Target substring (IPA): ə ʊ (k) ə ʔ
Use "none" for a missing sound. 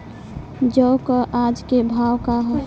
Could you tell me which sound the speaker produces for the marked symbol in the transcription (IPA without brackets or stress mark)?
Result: k